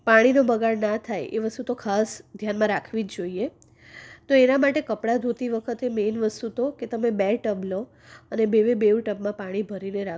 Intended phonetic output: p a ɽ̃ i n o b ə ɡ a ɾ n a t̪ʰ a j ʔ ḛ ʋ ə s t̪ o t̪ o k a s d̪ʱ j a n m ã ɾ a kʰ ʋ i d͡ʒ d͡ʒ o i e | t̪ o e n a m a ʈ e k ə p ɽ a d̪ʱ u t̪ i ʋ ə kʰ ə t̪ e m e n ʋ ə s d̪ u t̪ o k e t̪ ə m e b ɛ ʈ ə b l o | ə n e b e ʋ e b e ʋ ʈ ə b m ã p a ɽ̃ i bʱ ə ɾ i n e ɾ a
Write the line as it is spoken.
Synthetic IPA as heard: p a ɽ̃ i n o b ə ɡ a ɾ n a t̪ʰ a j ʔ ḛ ʋ ə s t̪ u t̪ o kʰ a s d̪ʱ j a n m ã ɾ a kʰ ʋ i d͡ʒ d͡ʒ o i e | t̪ o e n a m a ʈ e k ə p ɽ a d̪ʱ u t̪ i ʋ ə kʰ ə t̪ e m e n ʋ ə s t̪ u t̪ o k e t̪ ə m e b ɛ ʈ ə b l o | ə n e b e ʋ e b e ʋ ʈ ə b m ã p a ɽ̃ i bʱ ə ɾ i n e ɾ a